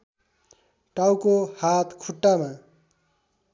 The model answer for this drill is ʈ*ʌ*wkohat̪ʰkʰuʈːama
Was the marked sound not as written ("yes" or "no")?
yes